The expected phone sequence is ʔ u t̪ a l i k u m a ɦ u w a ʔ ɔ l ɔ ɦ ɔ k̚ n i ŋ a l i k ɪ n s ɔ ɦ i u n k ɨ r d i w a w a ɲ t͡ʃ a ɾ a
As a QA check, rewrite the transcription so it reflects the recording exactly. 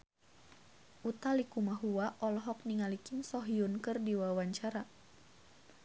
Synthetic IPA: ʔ u t̪ a l i k u m a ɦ u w a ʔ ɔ l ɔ ɦ ɔ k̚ n i ŋ a l i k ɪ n s ɔ ɦ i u n k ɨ r d i w a w a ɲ t͡ʃ a ɾ a